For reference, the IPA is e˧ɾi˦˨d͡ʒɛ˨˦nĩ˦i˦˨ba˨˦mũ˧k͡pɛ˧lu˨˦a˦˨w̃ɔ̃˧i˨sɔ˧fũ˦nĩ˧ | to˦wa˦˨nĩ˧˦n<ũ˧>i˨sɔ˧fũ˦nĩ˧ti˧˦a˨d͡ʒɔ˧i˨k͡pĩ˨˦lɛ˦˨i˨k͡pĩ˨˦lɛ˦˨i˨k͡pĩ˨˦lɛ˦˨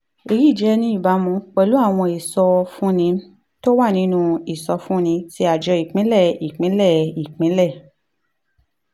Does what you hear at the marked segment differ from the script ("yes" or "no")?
no